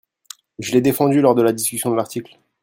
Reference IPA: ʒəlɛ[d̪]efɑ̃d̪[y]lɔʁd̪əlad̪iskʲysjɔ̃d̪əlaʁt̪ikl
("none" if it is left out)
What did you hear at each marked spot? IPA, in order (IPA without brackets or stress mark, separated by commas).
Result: d̪, y